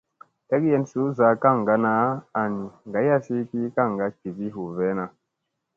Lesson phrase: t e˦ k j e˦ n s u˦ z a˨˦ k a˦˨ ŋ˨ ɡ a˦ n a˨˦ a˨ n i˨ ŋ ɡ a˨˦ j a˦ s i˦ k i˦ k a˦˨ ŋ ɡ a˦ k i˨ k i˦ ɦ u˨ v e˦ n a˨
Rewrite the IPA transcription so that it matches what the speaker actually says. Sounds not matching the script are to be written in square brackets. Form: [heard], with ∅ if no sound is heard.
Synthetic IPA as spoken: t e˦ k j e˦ n s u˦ z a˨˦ k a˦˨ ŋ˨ ɡ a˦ n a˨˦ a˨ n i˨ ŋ ɡ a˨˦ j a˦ s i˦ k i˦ k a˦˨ ŋ ɡ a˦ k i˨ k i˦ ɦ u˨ v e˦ n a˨